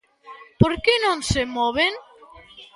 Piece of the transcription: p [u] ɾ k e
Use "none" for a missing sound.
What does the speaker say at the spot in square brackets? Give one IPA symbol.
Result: o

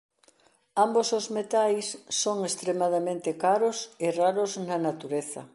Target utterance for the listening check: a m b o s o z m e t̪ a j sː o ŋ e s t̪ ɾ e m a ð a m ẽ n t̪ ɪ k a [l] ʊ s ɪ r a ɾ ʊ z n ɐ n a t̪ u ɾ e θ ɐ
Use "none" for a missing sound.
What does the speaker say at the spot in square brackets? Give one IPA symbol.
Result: ɾ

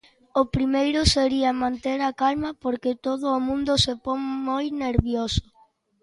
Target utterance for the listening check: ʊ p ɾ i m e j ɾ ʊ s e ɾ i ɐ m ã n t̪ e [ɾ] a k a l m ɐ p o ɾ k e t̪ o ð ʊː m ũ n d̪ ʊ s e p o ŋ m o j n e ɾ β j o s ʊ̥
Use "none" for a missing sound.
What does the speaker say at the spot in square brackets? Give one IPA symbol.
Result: ɾ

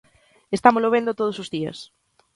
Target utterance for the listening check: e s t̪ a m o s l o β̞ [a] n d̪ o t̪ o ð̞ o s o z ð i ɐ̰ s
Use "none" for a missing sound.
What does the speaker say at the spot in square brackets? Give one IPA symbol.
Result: e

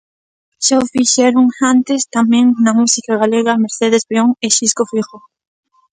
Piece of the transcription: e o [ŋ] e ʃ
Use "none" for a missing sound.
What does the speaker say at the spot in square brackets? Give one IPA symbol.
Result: ŋ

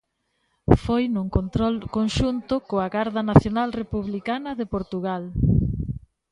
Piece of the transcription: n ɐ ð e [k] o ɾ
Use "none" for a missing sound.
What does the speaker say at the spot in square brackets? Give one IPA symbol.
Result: p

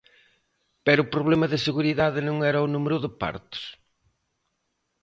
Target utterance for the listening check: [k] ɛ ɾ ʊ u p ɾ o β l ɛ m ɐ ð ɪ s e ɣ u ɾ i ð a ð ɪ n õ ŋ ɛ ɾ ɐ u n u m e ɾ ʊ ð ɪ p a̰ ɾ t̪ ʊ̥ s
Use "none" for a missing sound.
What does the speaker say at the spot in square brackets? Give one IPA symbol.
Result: p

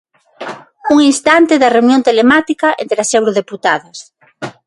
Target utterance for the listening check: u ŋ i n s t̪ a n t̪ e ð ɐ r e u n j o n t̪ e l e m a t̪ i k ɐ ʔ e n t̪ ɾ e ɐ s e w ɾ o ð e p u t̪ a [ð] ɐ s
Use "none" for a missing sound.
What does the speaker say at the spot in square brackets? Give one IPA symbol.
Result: ð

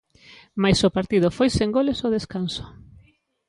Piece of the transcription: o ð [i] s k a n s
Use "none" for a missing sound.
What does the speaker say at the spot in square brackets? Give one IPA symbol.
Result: e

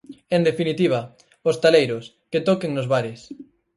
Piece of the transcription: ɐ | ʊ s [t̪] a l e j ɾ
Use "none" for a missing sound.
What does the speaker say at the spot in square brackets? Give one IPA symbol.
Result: t̪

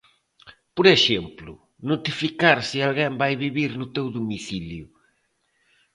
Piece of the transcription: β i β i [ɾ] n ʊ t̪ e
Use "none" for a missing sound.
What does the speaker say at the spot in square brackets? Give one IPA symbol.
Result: ɾ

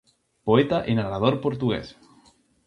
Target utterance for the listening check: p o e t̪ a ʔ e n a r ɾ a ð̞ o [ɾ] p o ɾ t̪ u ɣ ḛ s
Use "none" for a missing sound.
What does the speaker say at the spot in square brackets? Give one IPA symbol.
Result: ɾ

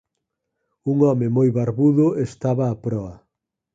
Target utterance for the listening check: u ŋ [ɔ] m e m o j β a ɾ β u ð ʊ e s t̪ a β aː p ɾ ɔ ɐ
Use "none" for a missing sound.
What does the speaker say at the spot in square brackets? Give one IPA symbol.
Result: ɔ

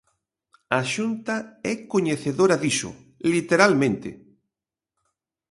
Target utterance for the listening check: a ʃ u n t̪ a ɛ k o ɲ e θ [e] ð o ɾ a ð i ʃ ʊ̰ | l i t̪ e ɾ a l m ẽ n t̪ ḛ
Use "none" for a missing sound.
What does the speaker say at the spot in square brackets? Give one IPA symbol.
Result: e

